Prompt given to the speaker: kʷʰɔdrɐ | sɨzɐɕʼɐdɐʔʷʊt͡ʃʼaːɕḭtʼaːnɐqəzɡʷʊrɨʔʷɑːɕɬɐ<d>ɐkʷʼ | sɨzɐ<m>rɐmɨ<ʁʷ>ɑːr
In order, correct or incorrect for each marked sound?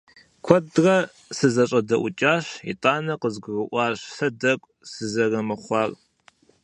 correct, incorrect, incorrect

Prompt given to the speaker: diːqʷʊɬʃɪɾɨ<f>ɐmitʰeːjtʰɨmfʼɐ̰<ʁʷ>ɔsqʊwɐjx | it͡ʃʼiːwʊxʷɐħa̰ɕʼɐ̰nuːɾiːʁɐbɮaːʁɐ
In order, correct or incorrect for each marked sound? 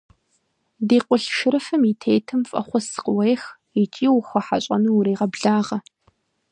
correct, incorrect

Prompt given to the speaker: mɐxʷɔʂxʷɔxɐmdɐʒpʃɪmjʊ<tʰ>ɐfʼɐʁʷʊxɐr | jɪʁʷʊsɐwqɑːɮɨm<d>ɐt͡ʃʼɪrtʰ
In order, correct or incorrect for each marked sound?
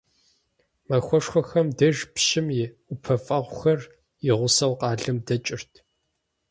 incorrect, correct

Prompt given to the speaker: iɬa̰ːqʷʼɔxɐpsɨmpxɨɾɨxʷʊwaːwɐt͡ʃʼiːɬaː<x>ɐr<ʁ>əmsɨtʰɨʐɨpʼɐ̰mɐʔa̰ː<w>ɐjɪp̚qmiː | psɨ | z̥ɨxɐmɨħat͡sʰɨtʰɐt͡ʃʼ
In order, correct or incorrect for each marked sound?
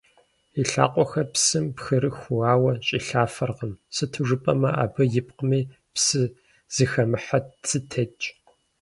incorrect, correct, incorrect

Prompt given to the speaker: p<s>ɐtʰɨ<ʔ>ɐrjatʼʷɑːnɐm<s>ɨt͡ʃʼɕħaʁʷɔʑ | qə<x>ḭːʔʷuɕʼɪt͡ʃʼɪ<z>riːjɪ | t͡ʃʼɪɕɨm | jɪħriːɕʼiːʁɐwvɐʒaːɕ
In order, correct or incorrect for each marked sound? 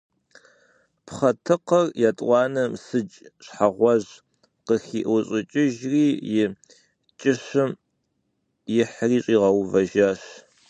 incorrect, incorrect, correct, correct, incorrect

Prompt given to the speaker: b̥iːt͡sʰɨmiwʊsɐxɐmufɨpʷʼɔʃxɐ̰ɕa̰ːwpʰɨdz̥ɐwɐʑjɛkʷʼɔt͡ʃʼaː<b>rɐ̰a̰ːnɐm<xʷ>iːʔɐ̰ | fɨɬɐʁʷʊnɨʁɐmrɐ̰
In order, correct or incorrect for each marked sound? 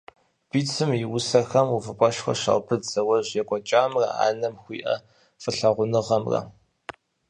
incorrect, correct

